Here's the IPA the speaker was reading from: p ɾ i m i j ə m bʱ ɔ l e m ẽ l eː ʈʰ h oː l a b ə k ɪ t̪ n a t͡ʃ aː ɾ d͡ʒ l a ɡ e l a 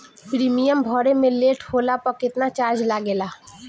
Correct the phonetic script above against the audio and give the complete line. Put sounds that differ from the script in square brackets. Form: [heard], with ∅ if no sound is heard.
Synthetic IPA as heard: p ɾ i m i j ə m bʱ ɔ [ɾ] e m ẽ l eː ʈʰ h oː l a [p] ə k ɪ t̪ n a t͡ʃ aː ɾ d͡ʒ l a ɡ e l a

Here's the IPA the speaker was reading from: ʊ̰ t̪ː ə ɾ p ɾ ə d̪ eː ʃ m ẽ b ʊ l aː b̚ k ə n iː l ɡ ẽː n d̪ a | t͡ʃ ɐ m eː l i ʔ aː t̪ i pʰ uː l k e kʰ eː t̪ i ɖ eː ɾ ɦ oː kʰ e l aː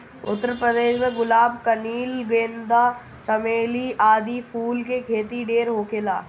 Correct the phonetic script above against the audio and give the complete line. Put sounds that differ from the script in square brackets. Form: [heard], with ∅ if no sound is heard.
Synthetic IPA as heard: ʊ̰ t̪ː ə ɾ p ɾ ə d̪ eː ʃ m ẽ [ɡ] ʊ l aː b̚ k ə n iː l ɡ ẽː n d̪ a | t͡ʃ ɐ m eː l i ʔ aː [d̪] i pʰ uː l k e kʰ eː t̪ i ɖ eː ɾ ɦ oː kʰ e l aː

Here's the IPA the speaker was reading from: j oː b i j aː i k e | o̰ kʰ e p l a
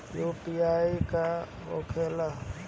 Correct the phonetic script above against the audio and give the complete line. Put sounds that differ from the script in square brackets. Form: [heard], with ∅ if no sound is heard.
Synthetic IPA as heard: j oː [p] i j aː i k [a] | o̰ kʰ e [∅] l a

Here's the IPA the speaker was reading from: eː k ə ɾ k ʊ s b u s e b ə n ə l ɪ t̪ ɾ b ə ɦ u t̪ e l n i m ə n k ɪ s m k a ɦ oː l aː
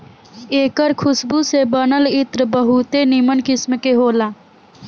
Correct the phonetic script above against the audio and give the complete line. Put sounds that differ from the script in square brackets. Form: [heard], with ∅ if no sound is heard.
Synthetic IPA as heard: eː k ə ɾ [kʰ] ʊ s b u s e b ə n ə l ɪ t̪ ɾ b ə ɦ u t̪ e [∅] n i m ə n k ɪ s m k [e] ɦ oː l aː

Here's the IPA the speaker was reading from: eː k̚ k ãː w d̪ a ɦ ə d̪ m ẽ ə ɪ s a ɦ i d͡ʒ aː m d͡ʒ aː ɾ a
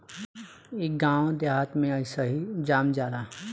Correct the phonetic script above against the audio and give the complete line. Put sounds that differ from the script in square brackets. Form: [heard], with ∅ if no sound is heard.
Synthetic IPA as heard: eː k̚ [ɡ] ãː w d̪ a ɦ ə [t̪] m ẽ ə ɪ s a ɦ i d͡ʒ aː m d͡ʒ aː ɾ a

